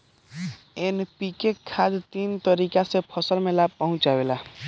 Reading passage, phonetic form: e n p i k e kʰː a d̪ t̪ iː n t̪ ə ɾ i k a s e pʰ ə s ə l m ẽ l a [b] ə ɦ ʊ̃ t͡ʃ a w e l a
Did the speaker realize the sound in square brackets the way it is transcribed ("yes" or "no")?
no